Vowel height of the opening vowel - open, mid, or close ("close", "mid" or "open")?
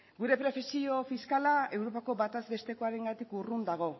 close